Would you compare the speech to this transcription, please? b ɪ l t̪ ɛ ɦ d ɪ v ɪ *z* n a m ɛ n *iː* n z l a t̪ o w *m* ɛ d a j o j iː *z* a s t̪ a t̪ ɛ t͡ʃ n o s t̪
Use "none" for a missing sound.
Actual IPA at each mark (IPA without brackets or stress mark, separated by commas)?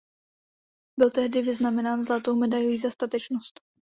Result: z, aː, m, z